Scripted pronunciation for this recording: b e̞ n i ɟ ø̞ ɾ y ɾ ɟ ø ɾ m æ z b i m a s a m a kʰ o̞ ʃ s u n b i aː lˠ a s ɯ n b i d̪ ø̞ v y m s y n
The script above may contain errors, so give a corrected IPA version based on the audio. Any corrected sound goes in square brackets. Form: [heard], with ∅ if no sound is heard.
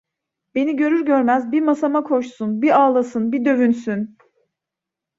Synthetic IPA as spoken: b e̞ n i ɟ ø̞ ɾ y ɾ ɟ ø ɾ m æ z b i m a s a m a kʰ o̞ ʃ s u n b i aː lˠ a s ɯ n b i d̪ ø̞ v y [n] s y n